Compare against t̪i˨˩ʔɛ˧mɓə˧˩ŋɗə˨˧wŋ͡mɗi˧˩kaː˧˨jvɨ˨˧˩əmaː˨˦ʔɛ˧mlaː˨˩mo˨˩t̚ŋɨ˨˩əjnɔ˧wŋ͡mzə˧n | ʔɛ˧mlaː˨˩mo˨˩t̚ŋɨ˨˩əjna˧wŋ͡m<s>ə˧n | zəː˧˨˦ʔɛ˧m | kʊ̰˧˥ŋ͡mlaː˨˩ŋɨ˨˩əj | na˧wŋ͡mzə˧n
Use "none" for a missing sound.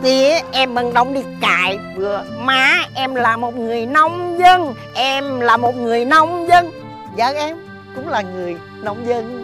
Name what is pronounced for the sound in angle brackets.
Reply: z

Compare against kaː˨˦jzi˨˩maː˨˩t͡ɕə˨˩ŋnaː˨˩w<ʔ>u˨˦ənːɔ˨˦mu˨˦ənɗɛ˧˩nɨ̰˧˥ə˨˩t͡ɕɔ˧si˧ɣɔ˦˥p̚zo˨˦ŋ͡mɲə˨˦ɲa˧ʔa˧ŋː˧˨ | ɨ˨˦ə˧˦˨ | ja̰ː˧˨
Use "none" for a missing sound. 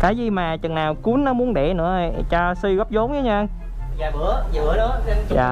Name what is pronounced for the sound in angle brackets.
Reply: k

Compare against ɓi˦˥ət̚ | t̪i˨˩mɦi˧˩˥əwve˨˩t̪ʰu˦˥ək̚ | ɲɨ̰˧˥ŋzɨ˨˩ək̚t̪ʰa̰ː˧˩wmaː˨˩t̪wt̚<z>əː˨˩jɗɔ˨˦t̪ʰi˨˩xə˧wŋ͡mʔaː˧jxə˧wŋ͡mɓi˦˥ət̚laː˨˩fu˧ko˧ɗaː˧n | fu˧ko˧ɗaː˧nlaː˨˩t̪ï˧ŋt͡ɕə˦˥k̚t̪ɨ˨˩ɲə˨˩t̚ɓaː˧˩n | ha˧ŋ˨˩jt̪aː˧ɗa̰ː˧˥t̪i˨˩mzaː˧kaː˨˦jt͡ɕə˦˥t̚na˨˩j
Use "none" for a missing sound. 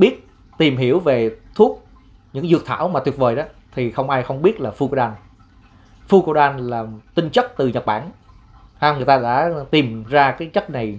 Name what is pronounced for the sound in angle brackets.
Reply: v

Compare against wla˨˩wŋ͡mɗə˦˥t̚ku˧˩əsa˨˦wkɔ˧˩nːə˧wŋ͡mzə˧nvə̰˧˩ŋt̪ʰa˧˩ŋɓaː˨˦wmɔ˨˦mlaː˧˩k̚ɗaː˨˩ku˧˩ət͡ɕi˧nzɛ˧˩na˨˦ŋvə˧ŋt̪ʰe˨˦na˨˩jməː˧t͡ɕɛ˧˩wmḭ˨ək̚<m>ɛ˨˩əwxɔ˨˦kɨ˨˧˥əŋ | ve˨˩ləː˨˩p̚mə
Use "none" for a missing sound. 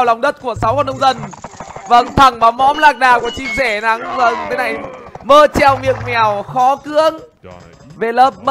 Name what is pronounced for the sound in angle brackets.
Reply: m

